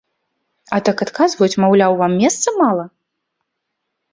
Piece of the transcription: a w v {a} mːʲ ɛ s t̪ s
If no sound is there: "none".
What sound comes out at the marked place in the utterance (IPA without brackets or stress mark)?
a